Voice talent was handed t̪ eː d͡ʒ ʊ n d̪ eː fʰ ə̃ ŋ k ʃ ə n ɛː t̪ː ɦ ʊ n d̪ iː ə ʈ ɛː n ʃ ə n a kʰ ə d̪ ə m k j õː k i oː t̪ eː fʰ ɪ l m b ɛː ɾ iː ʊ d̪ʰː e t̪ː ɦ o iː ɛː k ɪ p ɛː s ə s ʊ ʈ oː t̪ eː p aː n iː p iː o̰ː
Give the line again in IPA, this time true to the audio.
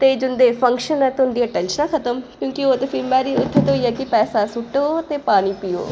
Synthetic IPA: t̪ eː d͡ʒ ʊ n d̪ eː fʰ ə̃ ŋ k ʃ ə n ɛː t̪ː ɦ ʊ n d̪ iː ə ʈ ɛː n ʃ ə n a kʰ ə t̪ ə m k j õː k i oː t̪ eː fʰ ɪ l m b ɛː ɾ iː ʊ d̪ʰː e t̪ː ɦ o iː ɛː k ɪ p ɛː s a s ʊ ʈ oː t̪ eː p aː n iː p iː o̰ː